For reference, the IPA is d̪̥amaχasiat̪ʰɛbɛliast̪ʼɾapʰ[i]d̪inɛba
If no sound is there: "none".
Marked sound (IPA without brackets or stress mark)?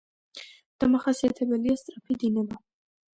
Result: i